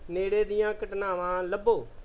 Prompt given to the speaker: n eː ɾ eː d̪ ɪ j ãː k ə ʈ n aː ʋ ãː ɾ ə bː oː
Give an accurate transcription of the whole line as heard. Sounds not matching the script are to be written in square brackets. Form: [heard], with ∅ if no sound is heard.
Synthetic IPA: n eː [ɽ] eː d̪ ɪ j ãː k ə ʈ n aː ʋ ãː [l] ə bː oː